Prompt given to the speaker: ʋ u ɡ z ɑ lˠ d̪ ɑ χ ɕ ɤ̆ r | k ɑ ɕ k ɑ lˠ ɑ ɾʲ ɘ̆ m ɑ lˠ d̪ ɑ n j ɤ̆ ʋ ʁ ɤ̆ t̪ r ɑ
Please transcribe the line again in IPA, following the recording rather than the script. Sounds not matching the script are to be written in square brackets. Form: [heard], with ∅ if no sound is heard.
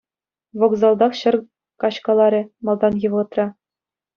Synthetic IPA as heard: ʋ [o] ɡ z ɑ lˠ d̪ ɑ χ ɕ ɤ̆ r | k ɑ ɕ k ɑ lˠ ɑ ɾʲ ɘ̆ m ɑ lˠ d̪ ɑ n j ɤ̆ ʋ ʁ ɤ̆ t̪ r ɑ